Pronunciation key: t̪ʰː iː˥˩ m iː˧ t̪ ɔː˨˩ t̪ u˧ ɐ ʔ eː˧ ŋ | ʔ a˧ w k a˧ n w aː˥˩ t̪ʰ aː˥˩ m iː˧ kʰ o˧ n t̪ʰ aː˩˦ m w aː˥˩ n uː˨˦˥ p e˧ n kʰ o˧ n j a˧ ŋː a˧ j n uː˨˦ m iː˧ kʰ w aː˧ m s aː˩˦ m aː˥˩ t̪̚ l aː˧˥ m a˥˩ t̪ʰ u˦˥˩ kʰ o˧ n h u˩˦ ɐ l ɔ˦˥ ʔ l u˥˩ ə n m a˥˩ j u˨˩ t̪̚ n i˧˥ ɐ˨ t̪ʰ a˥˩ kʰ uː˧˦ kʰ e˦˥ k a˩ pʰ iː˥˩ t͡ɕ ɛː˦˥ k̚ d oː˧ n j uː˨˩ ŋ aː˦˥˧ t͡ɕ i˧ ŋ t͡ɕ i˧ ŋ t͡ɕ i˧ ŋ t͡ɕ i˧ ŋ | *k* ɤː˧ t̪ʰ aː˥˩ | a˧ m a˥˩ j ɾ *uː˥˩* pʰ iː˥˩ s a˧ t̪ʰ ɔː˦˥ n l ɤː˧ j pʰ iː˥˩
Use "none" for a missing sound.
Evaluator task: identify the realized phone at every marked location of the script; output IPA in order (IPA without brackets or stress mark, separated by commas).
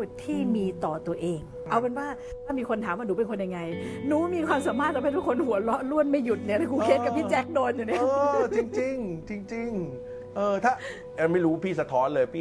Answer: ʔ, uː˦˥